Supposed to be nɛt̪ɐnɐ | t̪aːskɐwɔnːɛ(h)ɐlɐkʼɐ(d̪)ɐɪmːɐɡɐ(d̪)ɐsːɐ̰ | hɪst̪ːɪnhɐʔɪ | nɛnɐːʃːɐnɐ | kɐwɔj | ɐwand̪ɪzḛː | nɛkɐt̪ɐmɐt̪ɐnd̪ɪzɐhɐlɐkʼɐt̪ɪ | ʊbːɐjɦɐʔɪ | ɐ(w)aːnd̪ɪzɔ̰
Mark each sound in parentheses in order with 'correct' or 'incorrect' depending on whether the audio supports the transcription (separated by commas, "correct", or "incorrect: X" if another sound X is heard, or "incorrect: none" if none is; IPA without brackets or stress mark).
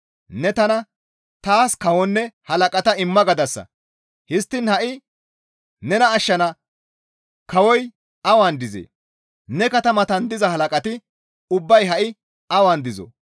correct, incorrect: t̪, correct, correct